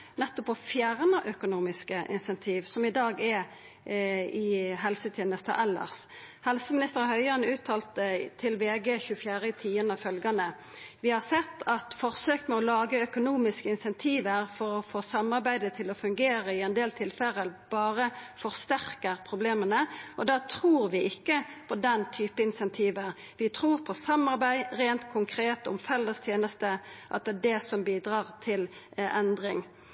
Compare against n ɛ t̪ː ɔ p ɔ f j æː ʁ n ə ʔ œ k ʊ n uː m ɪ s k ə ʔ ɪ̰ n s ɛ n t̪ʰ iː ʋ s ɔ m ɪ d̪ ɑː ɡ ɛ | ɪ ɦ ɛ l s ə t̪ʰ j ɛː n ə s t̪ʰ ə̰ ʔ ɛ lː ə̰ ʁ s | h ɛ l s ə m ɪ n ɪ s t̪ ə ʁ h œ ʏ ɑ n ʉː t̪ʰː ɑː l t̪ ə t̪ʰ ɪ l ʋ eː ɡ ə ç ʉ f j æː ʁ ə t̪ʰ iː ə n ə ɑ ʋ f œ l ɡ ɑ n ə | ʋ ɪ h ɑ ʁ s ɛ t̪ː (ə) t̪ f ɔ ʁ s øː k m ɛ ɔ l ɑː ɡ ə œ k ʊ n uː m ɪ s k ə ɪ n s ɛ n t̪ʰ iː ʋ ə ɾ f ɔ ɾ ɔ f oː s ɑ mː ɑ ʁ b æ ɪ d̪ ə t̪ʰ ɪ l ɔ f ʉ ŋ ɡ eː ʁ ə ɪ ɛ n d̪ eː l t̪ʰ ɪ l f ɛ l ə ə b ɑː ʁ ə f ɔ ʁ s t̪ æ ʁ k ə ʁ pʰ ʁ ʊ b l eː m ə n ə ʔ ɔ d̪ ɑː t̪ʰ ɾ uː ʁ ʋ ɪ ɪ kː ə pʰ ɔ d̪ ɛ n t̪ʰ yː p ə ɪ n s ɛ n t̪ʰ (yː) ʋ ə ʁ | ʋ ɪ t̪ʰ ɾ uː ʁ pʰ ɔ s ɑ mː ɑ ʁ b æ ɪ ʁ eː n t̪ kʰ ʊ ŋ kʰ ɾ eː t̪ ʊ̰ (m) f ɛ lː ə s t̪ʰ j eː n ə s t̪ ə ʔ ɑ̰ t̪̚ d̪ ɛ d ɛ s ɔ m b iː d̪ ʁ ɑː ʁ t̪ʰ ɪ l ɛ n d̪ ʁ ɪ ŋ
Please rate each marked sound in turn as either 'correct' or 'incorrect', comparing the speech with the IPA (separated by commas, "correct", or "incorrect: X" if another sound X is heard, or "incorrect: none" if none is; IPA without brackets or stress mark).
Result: incorrect: ɑ, incorrect: iː, correct